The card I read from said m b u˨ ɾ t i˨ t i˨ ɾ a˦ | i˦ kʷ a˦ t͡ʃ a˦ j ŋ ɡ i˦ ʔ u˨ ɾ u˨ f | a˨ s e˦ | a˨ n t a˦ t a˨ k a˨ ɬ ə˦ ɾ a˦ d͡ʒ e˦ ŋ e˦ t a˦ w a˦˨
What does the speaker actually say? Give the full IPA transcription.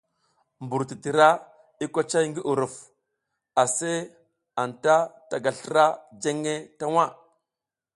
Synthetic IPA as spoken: m b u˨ ɾ t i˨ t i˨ ɾ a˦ | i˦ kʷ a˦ t͡ʃ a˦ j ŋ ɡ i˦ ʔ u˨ ɾ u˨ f | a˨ s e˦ | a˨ n t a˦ t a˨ ɡ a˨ ɬ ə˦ ɾ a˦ d͡ʒ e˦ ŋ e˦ t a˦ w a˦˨